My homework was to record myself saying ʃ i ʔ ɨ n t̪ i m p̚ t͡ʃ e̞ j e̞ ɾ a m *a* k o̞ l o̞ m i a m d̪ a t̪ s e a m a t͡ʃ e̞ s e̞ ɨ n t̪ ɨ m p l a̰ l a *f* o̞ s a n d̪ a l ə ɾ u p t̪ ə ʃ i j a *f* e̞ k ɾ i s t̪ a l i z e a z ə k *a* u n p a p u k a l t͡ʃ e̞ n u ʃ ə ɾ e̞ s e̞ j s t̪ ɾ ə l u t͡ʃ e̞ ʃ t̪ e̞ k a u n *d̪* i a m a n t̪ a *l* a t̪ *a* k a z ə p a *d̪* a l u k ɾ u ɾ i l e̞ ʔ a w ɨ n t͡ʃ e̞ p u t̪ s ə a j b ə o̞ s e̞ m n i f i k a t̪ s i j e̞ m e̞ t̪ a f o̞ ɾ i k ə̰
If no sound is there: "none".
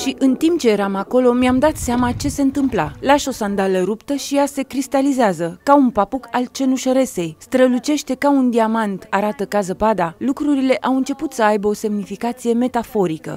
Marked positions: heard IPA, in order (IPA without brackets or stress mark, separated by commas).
a, ʃ, s, a, d̪, ɾ, ə, d̪